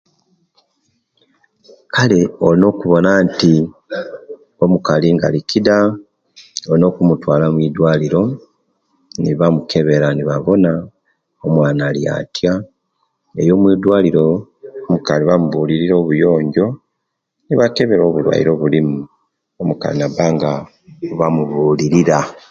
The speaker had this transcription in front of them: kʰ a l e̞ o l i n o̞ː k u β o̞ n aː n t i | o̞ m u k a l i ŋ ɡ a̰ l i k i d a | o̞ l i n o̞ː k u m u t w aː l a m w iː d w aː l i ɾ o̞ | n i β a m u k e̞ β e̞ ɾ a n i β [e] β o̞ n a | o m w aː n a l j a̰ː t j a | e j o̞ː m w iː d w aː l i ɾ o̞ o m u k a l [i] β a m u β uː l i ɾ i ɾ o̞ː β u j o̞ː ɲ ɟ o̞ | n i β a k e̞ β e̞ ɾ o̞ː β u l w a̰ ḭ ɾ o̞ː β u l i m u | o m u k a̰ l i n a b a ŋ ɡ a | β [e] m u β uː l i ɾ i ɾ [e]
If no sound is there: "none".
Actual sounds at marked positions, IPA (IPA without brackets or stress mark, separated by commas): a, i, a, a